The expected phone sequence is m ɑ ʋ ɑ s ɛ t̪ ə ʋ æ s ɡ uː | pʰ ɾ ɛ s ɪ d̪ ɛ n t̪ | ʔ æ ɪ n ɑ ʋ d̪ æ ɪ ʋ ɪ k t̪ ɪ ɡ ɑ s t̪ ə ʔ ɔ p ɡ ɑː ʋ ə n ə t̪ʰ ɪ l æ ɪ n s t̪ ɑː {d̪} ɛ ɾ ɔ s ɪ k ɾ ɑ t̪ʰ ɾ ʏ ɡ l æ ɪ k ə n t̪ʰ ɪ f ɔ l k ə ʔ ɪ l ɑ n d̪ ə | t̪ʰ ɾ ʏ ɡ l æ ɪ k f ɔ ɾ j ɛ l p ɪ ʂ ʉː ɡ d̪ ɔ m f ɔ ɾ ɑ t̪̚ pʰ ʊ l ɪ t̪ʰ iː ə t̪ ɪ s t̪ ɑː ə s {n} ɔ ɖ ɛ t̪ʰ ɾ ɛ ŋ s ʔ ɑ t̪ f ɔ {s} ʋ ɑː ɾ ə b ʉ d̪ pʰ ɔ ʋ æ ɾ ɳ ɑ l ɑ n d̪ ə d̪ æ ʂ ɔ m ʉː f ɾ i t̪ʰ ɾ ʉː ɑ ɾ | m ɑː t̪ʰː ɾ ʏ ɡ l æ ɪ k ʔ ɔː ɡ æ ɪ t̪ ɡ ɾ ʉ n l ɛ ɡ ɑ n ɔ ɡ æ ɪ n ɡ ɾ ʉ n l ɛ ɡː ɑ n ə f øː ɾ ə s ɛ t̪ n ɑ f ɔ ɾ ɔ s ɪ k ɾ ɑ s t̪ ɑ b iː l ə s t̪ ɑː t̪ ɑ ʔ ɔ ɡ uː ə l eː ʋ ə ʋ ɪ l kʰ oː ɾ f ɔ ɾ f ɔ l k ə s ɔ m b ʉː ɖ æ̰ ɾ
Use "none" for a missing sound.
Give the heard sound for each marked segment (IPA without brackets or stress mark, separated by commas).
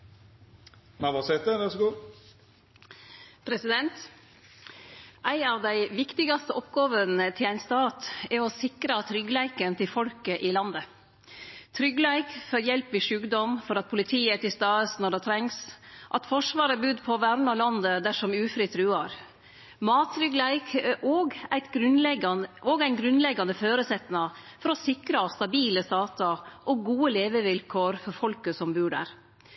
t̪, n, ʂ